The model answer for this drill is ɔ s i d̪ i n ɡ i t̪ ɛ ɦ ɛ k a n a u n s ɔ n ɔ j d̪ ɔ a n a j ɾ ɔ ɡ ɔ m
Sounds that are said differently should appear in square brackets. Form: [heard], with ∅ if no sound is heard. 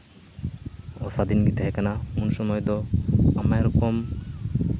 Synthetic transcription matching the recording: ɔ s [a] d̪ i n ɡ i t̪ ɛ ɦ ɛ k a n a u n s ɔ [m] ɔ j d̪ ɔ a [m] a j ɾ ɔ [k] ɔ m